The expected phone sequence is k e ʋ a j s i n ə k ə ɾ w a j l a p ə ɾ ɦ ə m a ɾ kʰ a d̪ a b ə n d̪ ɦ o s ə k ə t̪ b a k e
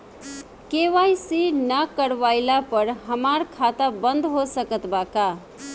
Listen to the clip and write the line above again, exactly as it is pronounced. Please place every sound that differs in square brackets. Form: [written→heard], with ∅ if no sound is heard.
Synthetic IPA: k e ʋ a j s i n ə k ə ɾ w a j l a p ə ɾ ɦ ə m a ɾ kʰ a [d̪→t̪] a b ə n d̪ ɦ o s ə k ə t̪ b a k [e→a]